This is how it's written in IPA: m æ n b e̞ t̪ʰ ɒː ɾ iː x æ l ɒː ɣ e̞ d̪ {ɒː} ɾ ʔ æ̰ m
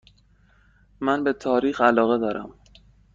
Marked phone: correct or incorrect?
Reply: correct